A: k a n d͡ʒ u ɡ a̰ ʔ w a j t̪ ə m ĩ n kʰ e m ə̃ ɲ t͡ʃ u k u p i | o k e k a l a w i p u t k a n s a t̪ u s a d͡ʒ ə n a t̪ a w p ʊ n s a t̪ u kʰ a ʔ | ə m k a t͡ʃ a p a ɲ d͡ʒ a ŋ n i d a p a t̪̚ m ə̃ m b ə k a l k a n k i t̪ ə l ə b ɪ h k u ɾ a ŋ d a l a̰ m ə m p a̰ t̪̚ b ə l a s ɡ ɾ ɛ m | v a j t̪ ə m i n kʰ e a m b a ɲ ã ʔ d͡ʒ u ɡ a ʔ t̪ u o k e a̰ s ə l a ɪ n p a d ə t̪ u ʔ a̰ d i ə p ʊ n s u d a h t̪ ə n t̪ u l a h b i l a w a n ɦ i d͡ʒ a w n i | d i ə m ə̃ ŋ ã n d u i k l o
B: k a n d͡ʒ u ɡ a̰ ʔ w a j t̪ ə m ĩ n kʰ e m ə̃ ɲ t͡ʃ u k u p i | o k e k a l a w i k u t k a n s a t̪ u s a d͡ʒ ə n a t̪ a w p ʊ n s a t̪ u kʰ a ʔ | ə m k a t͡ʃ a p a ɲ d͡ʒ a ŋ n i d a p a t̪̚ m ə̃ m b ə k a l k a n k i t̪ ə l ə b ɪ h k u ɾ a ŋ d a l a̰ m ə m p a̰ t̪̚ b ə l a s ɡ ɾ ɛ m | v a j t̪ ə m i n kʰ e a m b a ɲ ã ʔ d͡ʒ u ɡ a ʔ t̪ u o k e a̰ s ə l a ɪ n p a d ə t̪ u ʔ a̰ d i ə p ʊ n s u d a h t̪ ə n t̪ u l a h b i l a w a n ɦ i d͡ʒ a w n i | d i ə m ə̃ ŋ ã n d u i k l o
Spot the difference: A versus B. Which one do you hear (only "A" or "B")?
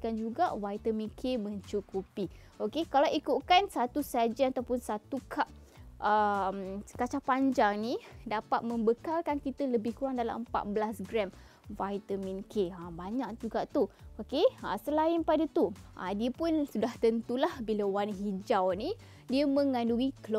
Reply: B